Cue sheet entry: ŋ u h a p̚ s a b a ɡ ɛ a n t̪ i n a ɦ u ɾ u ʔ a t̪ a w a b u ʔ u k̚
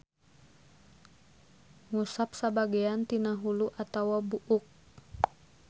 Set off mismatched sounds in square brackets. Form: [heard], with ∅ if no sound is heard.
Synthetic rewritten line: ŋ u [s] a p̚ s a b a ɡ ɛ a n t̪ i n a ɦ u [l] u ʔ a t̪ a w a b u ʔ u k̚